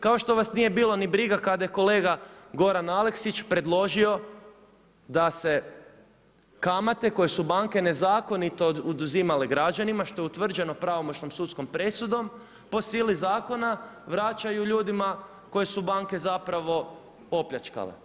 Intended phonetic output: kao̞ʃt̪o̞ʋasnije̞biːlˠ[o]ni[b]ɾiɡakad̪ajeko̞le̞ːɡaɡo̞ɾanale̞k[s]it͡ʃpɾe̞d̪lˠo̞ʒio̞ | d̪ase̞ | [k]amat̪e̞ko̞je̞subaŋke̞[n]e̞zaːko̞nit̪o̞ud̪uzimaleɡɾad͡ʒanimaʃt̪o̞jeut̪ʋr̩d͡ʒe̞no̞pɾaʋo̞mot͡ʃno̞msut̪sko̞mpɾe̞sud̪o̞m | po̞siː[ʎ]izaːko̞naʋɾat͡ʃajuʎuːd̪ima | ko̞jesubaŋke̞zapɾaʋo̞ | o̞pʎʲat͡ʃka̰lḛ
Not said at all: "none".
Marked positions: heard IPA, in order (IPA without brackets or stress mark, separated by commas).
o, b, s, k, n, l